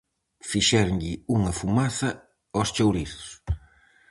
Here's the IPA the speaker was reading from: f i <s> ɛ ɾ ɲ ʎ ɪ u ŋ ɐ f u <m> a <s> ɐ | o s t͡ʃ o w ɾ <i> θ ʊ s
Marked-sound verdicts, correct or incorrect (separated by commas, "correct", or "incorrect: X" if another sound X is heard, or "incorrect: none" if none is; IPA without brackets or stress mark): incorrect: ʃ, correct, incorrect: θ, correct